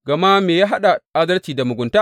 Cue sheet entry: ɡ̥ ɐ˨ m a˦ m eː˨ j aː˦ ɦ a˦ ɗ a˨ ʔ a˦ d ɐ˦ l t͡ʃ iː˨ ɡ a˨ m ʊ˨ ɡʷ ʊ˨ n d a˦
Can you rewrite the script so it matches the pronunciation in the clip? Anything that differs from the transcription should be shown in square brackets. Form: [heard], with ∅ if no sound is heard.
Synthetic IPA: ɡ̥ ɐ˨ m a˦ m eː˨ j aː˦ ɦ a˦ ɗ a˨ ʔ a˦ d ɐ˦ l t͡ʃ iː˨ [d] a˨ m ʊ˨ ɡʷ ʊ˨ n [t] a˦